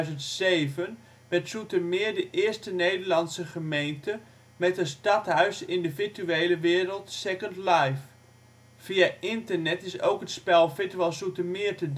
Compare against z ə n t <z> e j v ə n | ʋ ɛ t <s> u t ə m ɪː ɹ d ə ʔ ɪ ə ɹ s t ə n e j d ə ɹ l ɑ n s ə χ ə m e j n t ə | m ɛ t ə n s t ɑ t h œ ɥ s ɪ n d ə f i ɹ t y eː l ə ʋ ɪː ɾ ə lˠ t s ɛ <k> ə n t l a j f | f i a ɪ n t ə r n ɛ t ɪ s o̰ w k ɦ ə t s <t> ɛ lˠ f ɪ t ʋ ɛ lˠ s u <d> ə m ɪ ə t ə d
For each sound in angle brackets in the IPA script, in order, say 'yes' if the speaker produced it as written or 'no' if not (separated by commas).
no, yes, yes, no, no